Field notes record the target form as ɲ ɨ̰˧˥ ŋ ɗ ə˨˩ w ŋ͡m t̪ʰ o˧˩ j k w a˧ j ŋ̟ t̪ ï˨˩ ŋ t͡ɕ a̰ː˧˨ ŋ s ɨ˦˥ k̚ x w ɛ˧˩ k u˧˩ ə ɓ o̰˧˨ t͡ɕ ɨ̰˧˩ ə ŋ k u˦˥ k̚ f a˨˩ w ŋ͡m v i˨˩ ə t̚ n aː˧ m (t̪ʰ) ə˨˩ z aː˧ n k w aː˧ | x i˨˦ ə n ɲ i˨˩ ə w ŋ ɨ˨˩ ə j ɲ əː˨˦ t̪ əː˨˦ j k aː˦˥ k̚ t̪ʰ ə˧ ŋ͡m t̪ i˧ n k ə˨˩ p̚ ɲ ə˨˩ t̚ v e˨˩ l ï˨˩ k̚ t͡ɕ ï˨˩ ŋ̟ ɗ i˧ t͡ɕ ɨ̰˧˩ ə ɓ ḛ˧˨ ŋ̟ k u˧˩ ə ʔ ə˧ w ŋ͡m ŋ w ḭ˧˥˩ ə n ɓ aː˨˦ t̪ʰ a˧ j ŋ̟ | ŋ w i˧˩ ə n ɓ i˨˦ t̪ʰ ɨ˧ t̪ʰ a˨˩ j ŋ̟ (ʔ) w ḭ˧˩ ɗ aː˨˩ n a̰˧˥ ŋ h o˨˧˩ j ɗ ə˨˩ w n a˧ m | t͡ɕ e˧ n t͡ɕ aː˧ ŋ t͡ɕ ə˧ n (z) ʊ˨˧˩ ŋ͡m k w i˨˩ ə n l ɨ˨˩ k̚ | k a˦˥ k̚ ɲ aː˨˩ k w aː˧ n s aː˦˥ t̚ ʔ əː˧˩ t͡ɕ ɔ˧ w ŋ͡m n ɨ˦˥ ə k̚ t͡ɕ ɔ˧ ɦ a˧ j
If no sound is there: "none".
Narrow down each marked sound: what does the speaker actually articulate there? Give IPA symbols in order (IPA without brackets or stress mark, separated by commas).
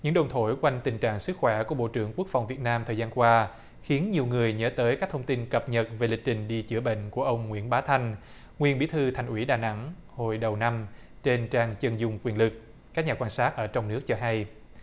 t̪ʰ, ʔ, z